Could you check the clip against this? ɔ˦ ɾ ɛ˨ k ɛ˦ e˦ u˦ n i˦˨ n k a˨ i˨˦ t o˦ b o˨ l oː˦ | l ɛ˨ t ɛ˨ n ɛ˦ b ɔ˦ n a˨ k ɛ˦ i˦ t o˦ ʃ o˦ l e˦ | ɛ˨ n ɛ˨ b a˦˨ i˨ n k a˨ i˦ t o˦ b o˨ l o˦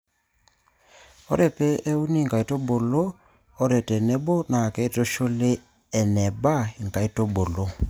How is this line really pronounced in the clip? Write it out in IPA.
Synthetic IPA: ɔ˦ ɾ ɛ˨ p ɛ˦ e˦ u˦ n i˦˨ ŋ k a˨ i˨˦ t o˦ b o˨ l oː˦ | ɾ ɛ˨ t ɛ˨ n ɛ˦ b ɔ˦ n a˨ k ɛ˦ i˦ t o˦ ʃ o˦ l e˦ | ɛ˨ n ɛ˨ b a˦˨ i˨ ŋ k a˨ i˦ t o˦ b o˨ l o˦